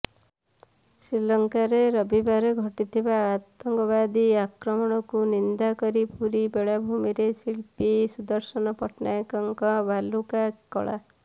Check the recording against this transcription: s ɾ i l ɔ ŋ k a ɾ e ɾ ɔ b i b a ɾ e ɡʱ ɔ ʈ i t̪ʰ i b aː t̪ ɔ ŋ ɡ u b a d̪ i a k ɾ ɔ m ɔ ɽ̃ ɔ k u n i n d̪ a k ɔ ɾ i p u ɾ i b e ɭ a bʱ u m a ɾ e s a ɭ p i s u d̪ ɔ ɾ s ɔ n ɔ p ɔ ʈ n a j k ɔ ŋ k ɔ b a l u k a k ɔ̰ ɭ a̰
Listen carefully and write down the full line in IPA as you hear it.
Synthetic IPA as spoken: s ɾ i l ɔ ŋ k a ɾ e ɾ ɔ b i b a ɾ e ɡʱ ɔ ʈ i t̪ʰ i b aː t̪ ɔ ŋ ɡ ɔ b a d̪ i a k ɾ ɔ m ɔ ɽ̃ ɔ k u n i n d̪ a k ɔ ɾ i p u ɾ i b e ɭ a bʱ u m i ɾ e s i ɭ p i s u d̪ ɔ ɾ s ɔ n ɔ p ɔ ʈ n a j k ɔ ŋ k ɔ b a l u k a k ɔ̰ ɭ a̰